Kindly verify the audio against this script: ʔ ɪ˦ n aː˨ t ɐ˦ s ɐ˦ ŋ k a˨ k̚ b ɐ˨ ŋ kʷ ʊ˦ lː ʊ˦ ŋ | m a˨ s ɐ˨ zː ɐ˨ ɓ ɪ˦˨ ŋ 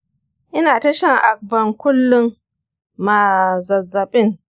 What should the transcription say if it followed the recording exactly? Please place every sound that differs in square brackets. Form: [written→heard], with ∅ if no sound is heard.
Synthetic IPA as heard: ʔ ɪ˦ n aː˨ t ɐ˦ [s→ʃ] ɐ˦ ŋ [k→ʔ] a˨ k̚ b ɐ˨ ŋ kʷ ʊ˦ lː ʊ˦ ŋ | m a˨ [s→z] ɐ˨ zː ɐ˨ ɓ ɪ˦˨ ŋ